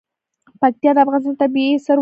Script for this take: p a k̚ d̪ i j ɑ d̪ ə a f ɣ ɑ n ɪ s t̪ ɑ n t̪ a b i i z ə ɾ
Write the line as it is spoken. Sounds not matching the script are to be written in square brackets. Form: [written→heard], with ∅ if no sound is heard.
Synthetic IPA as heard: p a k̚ [d̪→t̪] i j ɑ d̪ ə a f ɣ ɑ n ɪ s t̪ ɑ n t̪ a b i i [z→s] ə ɾ